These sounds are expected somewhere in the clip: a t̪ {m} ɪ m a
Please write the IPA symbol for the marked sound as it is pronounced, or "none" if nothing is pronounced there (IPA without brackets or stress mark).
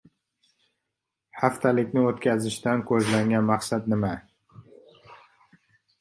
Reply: n